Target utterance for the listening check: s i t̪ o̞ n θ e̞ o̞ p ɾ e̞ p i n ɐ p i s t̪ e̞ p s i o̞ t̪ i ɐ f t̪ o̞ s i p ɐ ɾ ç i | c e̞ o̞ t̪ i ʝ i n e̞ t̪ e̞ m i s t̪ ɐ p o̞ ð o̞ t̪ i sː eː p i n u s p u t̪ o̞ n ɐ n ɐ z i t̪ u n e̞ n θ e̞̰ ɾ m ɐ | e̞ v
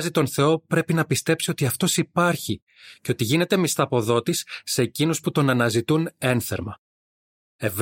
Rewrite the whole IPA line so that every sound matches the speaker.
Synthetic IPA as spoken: z i t̪ o̞ n θ e̞ o̞ p ɾ e̞ p i n ɐ p i s t̪ e̞ p s i o̞ t̪ i ɐ f t̪ o̞ s i p ɐ ɾ ç i | c e̞ o̞ t̪ i ʝ i n e̞ t̪ e̞ m i s t̪ ɐ p o̞ ð o̞ t̪ i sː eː c i n u s p u t̪ o̞ n ɐ n ɐ z i t̪ u n e̞ n θ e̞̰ ɾ m ɐ | e̞ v